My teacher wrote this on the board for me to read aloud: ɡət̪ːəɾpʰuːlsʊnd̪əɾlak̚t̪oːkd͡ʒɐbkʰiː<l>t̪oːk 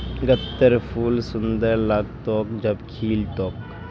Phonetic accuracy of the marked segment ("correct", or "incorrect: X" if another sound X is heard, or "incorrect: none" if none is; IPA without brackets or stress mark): correct